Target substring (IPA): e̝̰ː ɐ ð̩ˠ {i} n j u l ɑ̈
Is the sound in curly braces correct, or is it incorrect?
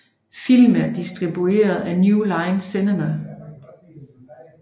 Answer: incorrect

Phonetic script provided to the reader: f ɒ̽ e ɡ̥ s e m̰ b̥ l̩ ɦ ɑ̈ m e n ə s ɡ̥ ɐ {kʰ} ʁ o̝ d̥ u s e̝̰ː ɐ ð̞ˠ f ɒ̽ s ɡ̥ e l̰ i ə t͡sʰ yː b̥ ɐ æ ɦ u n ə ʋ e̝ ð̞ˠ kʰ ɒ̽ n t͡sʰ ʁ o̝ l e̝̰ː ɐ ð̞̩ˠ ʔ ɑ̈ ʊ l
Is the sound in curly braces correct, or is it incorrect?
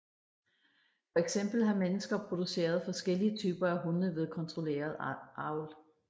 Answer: incorrect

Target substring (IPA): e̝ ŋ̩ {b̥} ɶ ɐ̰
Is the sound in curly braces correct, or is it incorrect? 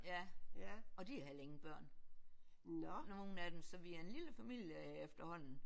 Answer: correct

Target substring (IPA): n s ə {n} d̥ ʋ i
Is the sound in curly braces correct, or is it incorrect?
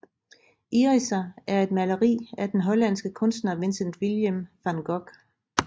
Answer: correct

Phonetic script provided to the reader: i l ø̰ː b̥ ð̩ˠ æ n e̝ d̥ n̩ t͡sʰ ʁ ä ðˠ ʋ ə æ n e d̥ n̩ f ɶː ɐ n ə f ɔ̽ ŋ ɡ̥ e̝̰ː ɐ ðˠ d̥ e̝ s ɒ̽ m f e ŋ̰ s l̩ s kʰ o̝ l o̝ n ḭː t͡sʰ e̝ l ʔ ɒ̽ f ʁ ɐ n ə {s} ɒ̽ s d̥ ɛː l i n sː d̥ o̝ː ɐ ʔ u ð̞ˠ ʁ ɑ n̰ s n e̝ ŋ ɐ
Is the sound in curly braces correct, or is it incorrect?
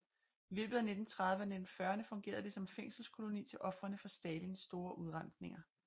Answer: incorrect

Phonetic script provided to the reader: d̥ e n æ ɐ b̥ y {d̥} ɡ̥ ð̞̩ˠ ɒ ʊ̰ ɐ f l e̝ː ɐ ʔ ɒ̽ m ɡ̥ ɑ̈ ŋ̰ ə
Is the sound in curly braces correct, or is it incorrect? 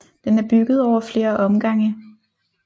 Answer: incorrect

